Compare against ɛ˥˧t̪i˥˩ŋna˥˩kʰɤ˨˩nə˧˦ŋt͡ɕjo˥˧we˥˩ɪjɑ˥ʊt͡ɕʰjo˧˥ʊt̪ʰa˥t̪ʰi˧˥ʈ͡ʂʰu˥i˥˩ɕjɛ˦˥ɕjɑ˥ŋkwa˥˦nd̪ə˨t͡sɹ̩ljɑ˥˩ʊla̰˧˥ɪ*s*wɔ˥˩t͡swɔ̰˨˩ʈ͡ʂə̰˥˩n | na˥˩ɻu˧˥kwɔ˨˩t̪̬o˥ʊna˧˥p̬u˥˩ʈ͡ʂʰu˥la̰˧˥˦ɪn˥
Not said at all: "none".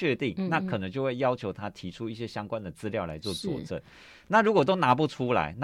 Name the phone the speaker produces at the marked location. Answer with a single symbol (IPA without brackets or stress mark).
t͡s